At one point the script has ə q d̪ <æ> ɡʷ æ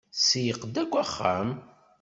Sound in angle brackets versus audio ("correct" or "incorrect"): correct